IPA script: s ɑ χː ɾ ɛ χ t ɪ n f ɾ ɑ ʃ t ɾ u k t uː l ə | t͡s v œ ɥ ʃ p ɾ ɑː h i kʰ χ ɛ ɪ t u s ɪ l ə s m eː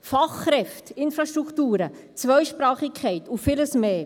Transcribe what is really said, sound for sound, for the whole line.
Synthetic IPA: f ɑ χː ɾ ɛ f t ɪ n f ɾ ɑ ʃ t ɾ u k t uː ɾ ə | t͡s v œ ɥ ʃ p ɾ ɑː χ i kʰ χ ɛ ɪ t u f ɪ l ə s m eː

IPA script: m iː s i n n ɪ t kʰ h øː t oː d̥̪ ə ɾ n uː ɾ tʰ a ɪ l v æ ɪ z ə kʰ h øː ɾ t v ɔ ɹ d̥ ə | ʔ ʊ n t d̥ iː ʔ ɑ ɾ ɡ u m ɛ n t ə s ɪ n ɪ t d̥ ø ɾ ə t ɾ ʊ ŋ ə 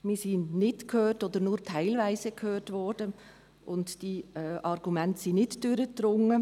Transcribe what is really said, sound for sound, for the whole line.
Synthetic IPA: m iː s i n n ɪ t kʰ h øː t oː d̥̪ ə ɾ n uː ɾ tʰ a ɪ l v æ ɪ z ə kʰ h øː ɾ t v ɔ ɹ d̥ ə | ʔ ʊ n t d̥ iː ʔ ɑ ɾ ɡ u m ɛ n t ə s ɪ n ɪ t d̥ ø ɾ ə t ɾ ʊ ŋ ə

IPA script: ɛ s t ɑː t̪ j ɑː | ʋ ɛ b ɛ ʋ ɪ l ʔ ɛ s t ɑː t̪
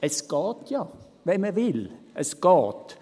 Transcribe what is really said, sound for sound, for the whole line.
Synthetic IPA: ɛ s k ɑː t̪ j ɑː | ʋ ɛ m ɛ ʋ ɪ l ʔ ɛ s k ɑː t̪

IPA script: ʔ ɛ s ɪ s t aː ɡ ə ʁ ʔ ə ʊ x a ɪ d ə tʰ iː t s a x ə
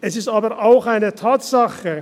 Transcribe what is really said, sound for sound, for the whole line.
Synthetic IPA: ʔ ɛ s ɪ s t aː b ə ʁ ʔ a ʊ x a ɪ n ə tʰ aː t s a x ə

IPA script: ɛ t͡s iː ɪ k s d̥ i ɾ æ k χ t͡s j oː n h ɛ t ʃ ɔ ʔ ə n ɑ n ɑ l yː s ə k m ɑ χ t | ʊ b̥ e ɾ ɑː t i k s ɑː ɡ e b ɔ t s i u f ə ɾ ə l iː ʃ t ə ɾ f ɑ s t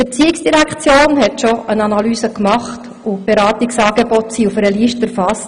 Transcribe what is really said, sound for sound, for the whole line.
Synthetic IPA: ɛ t͡s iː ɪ k s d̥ i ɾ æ k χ t͡s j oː n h ɛ t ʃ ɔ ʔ ə n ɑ n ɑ l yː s ə k m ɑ χ t | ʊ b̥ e ɾ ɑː t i k s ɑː ɡ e b ɔ t s i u f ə ɾ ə l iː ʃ t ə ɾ f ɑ s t

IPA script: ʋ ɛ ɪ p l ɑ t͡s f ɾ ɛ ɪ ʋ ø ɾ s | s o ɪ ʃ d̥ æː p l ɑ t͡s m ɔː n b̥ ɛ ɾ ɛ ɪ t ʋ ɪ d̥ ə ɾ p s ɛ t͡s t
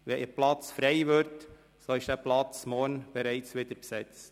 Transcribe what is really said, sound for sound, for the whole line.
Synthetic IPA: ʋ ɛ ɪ p l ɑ t͡s f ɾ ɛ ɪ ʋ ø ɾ t | s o ɪ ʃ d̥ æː p l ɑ t͡s m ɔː n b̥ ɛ ɾ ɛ ɪ t͡s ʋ ɪ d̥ ə ɾ p s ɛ t͡s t

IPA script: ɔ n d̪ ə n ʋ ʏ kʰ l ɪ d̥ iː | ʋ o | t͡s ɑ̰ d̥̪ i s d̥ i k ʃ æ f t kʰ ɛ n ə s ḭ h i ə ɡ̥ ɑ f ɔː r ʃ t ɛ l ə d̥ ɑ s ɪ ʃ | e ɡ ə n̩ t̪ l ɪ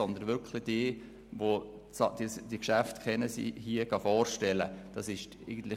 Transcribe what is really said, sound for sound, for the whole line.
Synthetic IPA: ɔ n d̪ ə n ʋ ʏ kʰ l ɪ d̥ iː | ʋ o | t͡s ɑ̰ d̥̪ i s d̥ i k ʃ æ f t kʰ ɛ n ə s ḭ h i ə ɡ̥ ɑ f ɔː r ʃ t ɛ l ə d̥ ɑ s ɪ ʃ | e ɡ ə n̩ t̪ l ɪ

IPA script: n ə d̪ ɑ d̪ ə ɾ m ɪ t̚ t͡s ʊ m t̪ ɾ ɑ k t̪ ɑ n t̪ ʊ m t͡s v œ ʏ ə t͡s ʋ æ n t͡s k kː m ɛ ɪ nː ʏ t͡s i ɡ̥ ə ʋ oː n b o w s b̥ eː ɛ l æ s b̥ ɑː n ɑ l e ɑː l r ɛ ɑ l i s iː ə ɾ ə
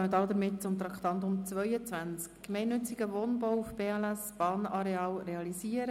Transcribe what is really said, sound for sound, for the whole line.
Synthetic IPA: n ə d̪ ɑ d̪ ə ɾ m ɪ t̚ t͡s ʊ m t̪ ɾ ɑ k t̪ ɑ n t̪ ʊ m t͡s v œ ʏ ə t͡s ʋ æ n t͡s k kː m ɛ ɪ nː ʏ t͡s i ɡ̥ ə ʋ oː n b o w f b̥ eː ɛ l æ s b̥ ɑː n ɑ ɾ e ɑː l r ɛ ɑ l i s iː ə ɾ ə

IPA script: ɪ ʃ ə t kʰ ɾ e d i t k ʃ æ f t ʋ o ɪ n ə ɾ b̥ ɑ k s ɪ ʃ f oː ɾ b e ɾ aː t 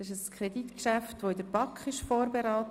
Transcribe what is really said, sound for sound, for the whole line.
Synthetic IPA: ɪ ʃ ə s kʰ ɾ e d i t k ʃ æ f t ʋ o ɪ d ə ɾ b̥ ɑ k χ ɪ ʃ f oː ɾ b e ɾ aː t

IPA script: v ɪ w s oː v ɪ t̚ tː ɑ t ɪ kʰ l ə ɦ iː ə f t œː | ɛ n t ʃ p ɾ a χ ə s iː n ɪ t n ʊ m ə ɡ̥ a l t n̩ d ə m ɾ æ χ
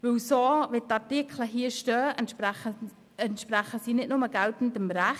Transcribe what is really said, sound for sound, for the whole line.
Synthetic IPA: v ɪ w s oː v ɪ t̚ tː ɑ t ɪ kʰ l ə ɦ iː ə ʃ t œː | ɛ n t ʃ p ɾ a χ ə s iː n ɪ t n ʊ m ə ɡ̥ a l t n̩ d ə m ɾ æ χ

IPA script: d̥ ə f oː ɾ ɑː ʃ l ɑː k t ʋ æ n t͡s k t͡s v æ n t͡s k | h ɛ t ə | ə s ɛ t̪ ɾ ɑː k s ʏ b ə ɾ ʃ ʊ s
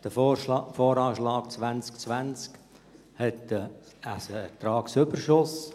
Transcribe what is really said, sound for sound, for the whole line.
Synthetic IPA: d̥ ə f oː ɾ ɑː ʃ l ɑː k t͡s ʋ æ n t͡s k t͡s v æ n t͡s k | h ɛ t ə | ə s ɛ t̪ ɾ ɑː k s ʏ b ə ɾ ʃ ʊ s

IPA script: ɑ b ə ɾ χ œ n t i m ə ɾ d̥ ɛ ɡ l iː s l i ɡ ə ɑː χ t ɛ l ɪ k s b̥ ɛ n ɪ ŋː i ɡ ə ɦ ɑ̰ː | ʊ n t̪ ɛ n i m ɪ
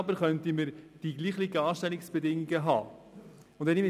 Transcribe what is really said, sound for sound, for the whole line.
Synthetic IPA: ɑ b ə ɾ χ œ n t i m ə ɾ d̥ i ɡ l iː χ l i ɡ ə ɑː ʃ t ɛ l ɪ k s b̥ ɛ d ɪ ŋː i ɡ ə ɦ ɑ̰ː | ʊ n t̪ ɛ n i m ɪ

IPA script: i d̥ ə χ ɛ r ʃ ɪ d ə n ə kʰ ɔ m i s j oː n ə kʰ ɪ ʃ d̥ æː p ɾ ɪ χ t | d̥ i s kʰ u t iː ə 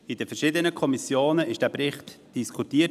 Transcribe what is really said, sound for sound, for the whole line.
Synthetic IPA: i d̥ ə f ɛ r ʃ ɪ d ə n ə kʰ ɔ m i s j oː n ə ɪ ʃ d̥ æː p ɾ ɪ χ t | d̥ i s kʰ u t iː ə

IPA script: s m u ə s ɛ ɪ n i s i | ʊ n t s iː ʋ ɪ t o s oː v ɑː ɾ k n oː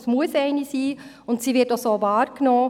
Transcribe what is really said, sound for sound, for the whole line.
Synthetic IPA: s m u ə s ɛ ɪ n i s iː | ʊ n t s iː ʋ ɪ t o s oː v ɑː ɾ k n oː

